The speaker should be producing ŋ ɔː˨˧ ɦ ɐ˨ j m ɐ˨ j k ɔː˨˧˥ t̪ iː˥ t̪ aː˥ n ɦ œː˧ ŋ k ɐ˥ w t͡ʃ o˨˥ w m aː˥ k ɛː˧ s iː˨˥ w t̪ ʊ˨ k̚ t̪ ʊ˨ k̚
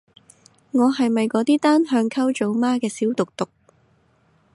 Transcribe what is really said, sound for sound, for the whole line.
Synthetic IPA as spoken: ŋ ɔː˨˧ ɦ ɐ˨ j m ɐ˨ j k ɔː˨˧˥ t̪ iː˥ t̪ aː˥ n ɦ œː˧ ŋ kʰ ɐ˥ w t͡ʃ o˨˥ w m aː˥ k ɛː˧ s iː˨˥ w t̪ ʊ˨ k̚ t̪ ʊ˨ k̚